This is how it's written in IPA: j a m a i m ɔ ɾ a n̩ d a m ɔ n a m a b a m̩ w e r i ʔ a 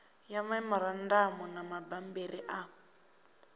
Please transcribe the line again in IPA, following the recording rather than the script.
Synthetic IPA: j a m a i m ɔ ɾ a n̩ d a m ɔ n a m a b a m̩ b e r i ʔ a